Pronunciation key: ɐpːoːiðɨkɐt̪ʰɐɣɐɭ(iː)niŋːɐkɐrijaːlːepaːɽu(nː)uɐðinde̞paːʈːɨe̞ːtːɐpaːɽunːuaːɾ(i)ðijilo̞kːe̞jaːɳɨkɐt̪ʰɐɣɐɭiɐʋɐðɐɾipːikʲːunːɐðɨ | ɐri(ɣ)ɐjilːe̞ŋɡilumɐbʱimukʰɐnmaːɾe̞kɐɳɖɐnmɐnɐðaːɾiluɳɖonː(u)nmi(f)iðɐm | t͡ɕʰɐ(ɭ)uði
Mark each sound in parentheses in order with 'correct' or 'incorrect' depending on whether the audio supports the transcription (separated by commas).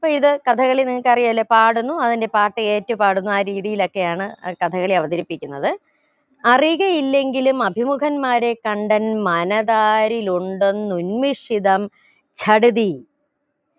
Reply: incorrect, correct, incorrect, correct, correct, incorrect, incorrect